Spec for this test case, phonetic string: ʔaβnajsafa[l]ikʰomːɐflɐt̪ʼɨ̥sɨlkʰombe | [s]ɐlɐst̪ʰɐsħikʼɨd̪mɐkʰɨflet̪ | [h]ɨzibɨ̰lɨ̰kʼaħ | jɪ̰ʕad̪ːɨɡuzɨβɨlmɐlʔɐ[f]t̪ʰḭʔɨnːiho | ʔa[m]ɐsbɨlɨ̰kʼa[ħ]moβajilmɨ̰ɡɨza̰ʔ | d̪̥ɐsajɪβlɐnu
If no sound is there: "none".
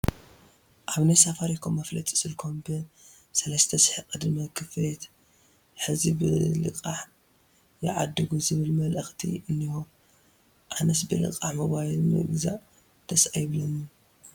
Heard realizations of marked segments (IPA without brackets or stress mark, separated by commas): ɾ, s, ħ, x, n, ħ